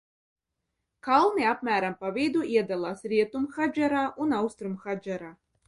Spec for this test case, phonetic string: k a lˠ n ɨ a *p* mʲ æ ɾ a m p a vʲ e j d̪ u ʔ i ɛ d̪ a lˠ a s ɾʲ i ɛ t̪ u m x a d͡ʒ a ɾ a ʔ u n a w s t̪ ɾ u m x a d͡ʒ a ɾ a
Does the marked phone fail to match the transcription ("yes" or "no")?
no